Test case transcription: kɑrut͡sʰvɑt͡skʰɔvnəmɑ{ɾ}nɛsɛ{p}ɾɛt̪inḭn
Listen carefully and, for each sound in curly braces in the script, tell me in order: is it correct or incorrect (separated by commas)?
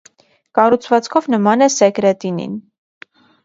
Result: incorrect, incorrect